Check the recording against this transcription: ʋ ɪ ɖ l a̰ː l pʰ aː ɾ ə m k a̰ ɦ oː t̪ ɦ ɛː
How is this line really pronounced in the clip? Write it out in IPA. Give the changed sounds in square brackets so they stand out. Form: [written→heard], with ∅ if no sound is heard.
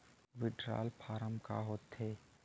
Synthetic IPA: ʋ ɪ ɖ [l→ɾ] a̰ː l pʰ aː ɾ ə m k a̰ ɦ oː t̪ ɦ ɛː